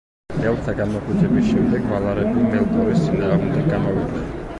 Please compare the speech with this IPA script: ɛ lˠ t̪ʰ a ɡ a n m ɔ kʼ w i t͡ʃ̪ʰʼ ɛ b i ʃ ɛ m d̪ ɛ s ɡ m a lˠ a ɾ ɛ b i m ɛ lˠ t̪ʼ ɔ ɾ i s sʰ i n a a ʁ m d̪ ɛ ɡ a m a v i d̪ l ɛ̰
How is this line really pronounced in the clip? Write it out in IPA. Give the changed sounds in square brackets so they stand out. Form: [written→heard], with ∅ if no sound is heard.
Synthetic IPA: ɛ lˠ t̪ʰ a ɡ a n m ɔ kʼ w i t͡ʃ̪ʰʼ ɛ b i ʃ ɛ m d̪ ɛ [s→∅] ɡ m a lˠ a ɾ ɛ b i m ɛ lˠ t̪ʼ ɔ ɾ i s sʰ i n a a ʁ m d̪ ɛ ɡ a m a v i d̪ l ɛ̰